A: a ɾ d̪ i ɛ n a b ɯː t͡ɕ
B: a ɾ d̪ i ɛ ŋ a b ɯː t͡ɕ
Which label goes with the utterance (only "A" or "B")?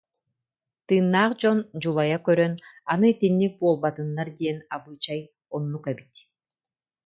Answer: A